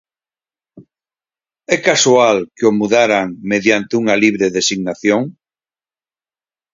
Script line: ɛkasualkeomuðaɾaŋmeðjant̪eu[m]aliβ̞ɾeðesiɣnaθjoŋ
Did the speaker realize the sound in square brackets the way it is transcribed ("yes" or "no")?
no